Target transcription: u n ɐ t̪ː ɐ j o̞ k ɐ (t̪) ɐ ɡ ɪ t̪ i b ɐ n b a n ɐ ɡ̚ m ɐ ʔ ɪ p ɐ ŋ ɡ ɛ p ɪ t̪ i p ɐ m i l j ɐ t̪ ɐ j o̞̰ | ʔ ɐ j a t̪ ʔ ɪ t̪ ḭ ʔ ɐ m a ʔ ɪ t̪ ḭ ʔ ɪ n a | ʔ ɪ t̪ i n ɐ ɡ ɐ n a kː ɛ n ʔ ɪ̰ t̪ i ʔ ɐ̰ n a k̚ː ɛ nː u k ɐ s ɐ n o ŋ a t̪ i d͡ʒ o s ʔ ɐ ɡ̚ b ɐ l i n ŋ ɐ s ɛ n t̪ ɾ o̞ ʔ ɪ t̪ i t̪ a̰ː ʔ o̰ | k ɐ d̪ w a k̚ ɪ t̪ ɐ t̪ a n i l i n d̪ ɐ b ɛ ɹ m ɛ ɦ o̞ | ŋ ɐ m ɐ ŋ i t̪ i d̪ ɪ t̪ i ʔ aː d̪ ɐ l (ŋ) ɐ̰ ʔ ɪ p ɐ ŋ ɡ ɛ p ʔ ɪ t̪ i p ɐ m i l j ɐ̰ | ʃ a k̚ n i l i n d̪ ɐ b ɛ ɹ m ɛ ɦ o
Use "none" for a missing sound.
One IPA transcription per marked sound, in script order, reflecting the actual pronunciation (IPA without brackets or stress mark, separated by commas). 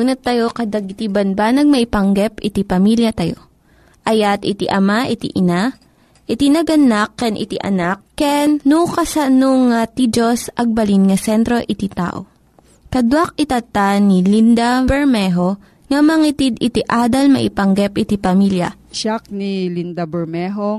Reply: d̪, m